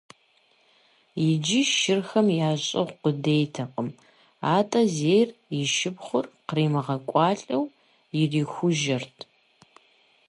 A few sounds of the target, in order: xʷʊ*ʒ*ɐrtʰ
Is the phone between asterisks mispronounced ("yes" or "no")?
no